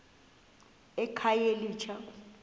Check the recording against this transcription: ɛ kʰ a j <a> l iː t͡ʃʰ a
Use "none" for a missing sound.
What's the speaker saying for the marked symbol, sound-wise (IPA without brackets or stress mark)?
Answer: e